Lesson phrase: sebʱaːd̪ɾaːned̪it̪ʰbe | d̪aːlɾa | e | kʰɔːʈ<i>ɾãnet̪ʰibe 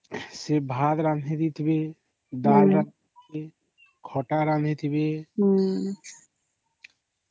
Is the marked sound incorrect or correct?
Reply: incorrect: a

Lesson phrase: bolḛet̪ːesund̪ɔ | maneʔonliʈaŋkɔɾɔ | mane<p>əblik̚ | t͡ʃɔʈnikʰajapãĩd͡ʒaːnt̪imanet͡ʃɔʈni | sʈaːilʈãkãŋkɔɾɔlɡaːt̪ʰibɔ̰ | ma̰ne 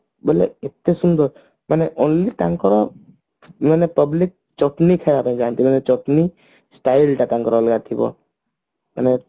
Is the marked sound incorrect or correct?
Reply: correct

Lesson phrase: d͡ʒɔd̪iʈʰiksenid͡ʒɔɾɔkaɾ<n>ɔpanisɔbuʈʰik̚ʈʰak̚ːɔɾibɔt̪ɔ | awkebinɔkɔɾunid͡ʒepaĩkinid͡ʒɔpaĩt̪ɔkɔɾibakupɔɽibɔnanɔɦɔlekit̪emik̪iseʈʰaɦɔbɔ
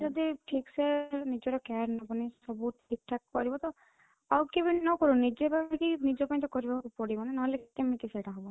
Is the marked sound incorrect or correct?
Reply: correct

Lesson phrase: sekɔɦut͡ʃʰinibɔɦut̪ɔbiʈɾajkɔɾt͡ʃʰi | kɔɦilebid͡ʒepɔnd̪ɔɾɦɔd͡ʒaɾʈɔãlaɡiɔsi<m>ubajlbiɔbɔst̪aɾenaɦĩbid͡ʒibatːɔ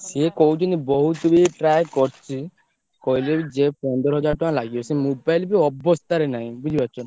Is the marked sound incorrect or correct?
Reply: correct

